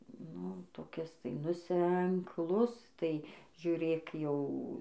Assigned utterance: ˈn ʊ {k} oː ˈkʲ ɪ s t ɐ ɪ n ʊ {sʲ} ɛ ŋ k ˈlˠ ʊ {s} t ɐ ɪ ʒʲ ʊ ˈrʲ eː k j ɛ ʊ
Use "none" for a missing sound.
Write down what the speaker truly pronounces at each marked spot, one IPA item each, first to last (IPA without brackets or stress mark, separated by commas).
t, sʲ, s